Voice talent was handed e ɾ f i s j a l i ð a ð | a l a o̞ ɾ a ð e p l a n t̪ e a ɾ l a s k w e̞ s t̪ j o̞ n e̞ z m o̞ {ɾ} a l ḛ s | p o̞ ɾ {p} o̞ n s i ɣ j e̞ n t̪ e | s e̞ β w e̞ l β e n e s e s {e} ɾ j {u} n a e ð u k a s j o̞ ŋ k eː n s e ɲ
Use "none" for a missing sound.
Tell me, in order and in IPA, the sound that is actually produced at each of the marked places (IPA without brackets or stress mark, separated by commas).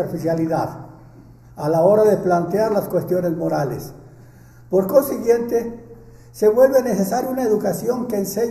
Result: ɾ, k, a, u